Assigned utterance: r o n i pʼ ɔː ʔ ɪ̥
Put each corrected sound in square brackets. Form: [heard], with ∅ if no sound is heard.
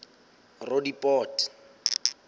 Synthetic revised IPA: r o [d] i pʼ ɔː [t] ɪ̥